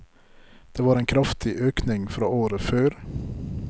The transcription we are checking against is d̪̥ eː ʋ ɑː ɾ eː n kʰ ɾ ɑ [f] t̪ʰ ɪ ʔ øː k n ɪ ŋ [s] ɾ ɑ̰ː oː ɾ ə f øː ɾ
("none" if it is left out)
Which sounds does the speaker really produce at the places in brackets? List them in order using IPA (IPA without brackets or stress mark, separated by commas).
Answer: f, f